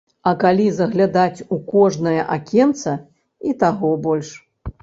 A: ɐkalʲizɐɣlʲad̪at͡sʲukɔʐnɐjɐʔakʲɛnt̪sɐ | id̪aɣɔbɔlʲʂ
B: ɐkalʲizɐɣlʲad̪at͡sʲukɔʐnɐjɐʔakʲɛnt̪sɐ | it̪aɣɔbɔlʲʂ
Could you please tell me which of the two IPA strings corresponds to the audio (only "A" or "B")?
B